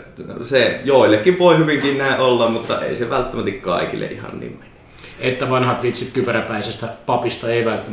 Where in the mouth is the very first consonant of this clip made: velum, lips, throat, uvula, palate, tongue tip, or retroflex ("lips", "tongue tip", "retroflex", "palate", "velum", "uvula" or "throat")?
tongue tip